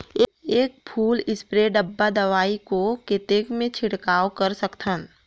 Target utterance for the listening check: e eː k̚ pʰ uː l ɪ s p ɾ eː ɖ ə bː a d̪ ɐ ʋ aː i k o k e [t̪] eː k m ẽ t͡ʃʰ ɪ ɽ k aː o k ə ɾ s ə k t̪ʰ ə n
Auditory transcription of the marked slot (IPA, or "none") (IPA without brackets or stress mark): t̪